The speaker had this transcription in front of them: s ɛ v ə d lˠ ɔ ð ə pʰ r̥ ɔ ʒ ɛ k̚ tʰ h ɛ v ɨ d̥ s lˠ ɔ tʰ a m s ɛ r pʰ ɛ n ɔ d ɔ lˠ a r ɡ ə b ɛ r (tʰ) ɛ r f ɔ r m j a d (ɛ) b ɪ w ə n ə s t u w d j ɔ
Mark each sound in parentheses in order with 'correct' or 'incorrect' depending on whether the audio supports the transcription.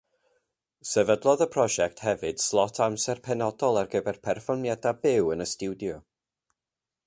incorrect: pʰ, incorrect: a

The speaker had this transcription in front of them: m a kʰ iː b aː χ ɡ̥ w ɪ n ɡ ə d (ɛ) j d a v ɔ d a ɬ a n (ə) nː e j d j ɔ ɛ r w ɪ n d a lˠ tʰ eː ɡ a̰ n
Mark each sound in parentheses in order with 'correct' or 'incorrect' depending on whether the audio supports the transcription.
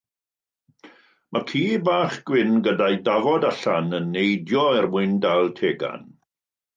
incorrect: a, correct

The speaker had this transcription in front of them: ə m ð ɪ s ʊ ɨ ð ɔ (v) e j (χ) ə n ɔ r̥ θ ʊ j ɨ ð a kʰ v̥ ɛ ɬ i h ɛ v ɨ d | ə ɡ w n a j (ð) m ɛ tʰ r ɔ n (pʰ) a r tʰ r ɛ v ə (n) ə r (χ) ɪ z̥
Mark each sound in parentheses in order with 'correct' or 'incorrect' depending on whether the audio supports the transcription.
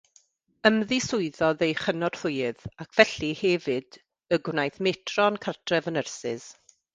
incorrect: ð, correct, incorrect: θ, incorrect: kʰ, correct, incorrect: s

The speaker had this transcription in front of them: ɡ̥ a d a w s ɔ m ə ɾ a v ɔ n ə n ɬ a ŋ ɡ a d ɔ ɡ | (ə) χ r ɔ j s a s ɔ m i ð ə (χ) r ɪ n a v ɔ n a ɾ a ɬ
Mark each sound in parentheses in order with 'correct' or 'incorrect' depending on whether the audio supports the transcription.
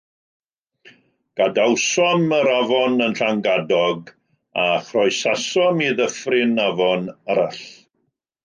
incorrect: a, incorrect: f

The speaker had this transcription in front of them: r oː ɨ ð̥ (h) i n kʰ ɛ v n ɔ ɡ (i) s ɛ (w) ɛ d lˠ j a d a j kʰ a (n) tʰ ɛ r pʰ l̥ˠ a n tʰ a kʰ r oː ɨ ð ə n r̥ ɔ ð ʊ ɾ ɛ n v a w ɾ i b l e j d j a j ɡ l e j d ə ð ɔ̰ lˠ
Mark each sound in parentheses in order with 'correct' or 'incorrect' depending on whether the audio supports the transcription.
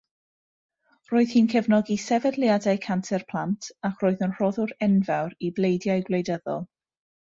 correct, correct, incorrect: v, correct

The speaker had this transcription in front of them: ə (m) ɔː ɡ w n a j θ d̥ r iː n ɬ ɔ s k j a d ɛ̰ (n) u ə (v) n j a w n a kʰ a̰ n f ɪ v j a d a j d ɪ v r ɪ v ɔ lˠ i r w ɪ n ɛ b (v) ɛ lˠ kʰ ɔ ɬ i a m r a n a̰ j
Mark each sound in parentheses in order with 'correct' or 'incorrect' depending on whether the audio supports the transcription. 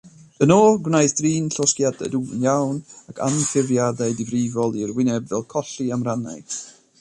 incorrect: n, incorrect: d, incorrect: none, correct

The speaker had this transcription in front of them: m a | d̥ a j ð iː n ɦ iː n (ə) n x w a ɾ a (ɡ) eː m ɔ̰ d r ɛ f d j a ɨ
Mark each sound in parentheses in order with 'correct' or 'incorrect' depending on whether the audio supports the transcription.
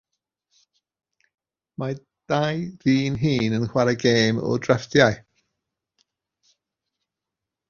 correct, correct

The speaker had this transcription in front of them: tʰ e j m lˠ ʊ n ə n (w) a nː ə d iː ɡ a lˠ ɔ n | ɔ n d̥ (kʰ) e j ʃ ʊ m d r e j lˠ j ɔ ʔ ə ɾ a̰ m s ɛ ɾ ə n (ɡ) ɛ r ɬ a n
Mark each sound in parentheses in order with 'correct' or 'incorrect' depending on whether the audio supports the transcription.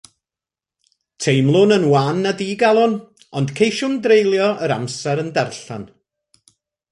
correct, correct, incorrect: d

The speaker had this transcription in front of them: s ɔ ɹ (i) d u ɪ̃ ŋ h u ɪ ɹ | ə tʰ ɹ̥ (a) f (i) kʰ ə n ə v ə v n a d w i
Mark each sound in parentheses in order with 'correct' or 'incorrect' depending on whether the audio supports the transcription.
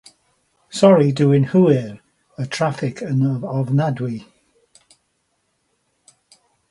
correct, correct, incorrect: ɪ

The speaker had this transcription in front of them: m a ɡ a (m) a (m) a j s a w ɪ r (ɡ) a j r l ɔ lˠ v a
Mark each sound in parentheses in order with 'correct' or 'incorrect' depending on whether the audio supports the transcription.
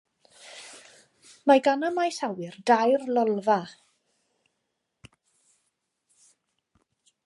incorrect: n, correct, incorrect: d

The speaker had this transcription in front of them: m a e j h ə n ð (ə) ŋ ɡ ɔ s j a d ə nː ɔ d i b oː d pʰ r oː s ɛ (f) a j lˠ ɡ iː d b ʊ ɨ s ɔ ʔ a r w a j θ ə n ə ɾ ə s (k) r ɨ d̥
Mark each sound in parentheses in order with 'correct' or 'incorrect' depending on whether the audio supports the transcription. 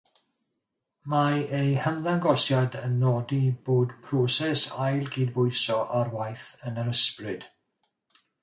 incorrect: a, incorrect: s, incorrect: p

